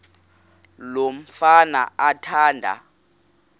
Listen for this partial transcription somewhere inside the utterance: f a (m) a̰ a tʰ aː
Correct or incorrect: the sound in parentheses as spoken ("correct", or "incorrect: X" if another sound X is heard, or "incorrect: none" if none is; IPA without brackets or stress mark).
incorrect: n